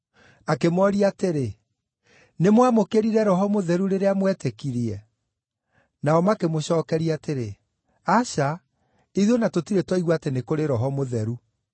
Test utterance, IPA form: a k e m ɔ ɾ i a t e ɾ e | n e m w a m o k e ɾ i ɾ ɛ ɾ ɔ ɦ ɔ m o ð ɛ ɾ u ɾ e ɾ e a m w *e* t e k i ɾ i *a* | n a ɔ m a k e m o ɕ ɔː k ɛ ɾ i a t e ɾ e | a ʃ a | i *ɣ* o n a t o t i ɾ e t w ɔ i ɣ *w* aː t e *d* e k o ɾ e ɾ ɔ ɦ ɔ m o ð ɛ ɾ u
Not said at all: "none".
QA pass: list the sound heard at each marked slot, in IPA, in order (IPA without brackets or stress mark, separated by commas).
ɛ, ɛ, ð, w, n